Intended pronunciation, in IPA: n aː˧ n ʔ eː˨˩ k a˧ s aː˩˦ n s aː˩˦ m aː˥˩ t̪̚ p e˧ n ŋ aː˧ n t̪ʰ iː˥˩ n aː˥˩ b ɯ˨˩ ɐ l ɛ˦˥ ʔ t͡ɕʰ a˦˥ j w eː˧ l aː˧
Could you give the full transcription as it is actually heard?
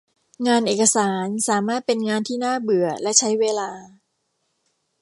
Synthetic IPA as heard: ŋ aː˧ n ʔ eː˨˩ k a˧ s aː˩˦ n s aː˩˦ m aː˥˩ t̪̚ p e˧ n ŋ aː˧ n t̪ʰ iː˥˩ n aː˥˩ b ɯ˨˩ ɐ l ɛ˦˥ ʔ t͡ɕʰ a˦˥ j w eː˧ l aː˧